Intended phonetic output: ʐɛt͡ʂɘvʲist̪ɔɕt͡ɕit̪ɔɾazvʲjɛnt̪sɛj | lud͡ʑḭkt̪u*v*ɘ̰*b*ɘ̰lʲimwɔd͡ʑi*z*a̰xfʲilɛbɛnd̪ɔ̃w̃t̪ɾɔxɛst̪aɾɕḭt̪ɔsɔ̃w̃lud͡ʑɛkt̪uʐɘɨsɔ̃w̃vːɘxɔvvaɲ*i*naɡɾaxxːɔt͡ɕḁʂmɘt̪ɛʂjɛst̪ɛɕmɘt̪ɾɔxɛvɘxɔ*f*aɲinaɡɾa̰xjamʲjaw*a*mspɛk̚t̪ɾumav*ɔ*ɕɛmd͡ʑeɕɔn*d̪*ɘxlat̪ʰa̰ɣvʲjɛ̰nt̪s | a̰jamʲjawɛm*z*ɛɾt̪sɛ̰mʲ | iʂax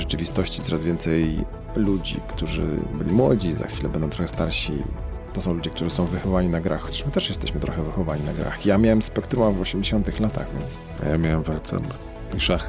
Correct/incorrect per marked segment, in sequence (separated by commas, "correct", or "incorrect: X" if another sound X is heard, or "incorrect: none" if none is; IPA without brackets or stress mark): incorrect: ʐ, correct, correct, correct, incorrect: v, incorrect: ɛ, correct, incorrect: t̪, incorrect: v